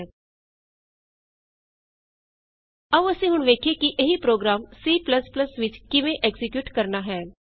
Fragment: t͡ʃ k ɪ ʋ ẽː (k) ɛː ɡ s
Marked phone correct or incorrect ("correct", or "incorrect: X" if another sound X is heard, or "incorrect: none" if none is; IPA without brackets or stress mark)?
incorrect: ʔ